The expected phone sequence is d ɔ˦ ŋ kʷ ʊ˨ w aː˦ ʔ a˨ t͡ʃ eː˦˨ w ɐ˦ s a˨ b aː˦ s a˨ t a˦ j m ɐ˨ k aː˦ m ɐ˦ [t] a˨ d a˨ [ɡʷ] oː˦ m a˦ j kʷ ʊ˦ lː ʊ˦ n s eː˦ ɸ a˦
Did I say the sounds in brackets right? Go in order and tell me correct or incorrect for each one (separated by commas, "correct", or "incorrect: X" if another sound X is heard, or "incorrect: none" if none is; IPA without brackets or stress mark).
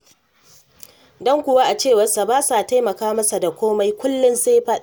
incorrect: s, incorrect: kʷ